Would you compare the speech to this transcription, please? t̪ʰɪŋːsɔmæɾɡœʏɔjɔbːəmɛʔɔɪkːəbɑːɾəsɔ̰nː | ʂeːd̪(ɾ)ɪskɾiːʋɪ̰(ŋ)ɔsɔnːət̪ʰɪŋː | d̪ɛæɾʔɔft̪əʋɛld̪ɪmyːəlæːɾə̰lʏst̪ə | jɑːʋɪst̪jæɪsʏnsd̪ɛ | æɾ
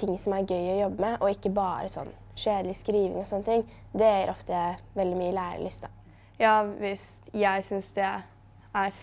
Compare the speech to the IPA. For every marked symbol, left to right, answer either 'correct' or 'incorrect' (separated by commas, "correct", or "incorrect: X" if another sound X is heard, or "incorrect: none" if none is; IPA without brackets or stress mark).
incorrect: l, correct